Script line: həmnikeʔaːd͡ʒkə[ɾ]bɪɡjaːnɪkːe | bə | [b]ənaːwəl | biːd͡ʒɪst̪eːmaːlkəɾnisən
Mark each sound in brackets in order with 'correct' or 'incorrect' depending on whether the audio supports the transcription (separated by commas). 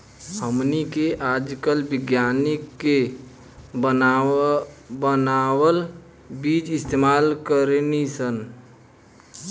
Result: incorrect, correct